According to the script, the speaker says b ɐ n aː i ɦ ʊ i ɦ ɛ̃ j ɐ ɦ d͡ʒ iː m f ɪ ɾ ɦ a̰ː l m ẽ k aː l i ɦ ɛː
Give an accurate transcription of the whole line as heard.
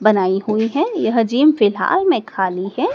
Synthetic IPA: b ɐ n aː i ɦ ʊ i ɦ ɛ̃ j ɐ ɦ d͡ʒ iː m f ɪ l ɦ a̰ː l m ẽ kʰ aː l i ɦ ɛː